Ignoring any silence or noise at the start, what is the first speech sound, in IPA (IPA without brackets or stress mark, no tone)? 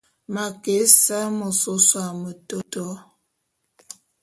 m